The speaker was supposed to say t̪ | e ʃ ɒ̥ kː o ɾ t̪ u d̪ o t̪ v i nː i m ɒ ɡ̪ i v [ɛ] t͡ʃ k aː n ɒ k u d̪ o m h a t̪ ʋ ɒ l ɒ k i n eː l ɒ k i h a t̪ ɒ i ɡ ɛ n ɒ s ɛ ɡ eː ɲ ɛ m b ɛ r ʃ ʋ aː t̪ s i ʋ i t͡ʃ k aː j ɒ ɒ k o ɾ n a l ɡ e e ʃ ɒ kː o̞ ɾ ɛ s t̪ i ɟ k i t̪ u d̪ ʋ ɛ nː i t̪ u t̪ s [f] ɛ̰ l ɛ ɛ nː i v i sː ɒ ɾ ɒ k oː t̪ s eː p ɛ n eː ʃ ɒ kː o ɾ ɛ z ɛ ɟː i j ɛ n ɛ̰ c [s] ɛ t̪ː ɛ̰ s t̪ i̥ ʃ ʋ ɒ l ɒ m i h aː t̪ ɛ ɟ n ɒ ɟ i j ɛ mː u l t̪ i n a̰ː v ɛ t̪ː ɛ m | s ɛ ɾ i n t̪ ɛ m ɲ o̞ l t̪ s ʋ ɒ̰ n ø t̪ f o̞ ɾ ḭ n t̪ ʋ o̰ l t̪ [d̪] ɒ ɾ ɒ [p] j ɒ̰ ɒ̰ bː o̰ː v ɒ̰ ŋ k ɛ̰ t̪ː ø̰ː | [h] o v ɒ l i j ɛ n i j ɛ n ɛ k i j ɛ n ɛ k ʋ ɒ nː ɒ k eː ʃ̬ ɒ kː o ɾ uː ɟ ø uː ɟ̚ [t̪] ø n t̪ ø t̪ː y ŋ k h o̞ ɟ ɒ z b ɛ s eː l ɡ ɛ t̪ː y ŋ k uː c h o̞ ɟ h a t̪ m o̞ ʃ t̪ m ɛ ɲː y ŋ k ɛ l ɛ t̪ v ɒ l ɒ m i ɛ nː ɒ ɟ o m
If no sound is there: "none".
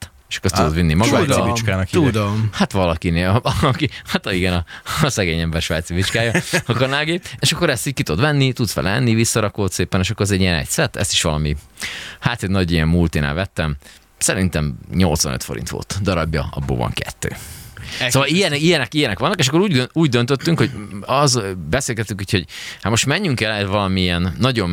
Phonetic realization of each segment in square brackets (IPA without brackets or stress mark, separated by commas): i, f, s, d̪, b, s, d̪